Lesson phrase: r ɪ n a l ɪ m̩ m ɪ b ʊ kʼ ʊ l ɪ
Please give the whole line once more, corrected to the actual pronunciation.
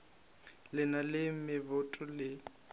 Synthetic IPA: l ɪ n a l ɪ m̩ m ɪ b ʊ tʼ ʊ l ɪ

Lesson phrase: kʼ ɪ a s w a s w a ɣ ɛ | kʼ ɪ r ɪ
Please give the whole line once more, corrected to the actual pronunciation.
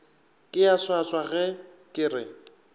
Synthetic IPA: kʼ ɪ a s w a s w a ɣ ɛ | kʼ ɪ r ɪ

